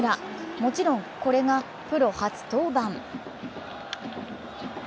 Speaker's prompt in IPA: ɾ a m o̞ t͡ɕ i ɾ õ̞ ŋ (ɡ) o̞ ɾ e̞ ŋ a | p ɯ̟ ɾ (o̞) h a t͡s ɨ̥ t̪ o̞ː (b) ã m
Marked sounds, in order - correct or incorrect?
incorrect, correct, correct

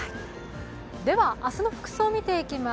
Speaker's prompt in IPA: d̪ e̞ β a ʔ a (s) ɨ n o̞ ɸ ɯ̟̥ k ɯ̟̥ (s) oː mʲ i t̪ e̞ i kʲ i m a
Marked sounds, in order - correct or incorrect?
correct, correct

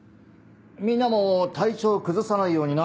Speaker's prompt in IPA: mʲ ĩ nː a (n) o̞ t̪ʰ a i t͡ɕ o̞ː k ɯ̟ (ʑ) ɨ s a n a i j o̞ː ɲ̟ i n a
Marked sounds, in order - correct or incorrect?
incorrect, incorrect

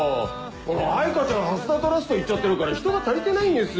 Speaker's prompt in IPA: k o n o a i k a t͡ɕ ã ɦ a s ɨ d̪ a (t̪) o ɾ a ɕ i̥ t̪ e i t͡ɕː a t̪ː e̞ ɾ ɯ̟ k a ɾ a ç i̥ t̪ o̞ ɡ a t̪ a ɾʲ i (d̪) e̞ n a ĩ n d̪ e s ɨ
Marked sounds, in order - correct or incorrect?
correct, incorrect

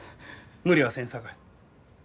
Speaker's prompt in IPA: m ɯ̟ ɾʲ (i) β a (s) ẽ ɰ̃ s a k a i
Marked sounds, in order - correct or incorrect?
correct, correct

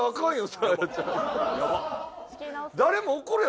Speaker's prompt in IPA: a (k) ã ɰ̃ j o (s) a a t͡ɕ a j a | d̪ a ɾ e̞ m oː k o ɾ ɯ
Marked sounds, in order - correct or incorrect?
correct, correct

